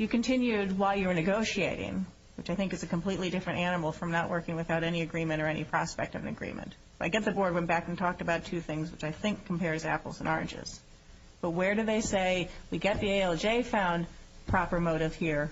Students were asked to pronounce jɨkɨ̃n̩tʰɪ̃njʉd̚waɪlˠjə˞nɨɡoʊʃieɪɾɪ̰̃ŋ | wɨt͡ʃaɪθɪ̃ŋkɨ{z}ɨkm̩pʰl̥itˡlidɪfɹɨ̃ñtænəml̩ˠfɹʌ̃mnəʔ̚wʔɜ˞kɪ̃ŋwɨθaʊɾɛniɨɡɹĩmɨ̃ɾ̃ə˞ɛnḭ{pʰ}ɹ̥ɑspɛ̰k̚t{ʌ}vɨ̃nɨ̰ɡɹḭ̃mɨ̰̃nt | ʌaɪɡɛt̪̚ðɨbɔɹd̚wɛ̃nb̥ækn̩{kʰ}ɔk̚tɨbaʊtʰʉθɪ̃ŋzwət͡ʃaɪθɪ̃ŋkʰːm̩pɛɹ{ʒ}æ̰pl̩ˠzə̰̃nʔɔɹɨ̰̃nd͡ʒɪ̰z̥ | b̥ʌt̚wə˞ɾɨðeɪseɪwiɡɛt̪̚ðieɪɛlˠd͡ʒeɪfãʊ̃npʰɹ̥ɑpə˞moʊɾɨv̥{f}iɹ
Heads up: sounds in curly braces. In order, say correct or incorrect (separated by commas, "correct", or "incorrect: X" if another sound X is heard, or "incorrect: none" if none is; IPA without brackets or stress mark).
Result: correct, correct, correct, incorrect: tʰ, incorrect: z, incorrect: h